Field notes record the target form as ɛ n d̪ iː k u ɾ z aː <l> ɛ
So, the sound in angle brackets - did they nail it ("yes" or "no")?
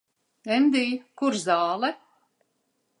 yes